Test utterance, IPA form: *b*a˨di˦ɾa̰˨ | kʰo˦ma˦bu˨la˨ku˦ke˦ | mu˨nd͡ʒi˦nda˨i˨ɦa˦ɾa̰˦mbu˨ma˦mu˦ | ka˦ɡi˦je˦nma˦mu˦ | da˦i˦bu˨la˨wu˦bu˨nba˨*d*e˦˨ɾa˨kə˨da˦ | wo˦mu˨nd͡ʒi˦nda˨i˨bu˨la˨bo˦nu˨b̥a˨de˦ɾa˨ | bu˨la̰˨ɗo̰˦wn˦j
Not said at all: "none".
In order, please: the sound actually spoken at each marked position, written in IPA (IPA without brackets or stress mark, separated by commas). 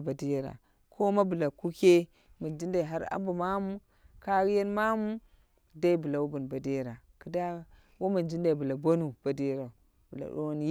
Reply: b, d